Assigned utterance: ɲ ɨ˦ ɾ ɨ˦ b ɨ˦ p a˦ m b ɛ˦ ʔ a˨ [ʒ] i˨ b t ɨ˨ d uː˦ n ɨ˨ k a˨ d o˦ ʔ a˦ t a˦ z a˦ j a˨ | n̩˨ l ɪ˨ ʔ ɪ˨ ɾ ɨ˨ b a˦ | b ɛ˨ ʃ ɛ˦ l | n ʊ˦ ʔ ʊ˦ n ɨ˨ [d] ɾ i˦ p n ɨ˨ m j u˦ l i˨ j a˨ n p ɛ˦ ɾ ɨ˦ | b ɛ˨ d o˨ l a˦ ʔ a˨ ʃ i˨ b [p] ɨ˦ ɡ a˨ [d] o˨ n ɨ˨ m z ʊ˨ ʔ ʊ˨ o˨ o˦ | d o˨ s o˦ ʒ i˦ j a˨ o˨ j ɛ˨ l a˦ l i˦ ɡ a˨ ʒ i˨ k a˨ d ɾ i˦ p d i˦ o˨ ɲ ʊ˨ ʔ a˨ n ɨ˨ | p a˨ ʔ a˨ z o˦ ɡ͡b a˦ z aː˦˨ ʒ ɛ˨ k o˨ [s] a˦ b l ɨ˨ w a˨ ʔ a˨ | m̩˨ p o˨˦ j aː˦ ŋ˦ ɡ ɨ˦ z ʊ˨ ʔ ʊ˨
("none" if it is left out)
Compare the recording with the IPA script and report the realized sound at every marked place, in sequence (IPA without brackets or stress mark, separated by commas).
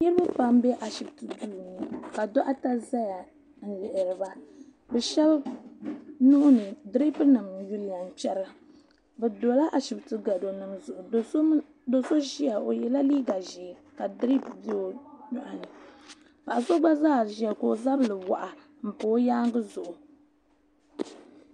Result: ʃ, d, t, d, z